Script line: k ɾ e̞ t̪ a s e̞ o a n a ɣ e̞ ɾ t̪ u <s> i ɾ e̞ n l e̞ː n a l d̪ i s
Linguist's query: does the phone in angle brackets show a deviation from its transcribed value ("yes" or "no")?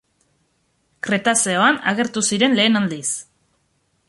no